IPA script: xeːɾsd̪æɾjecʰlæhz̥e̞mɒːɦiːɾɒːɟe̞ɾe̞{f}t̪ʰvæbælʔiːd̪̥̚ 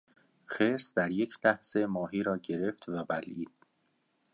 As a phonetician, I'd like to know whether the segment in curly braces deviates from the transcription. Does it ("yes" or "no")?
no